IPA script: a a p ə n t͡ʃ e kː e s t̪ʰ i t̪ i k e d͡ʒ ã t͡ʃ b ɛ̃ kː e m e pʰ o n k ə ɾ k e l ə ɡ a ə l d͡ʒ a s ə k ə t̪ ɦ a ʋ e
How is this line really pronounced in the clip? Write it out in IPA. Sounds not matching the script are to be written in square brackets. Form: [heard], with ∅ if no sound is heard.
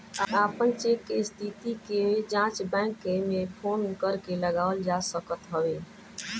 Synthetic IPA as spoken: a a p ə n t͡ʃ e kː e s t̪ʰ i t̪ i k e d͡ʒ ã t͡ʃ b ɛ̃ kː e m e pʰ o n k ə ɾ k e l ə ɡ a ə l d͡ʒ a s ə k ə t̪ ɦ [ə] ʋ e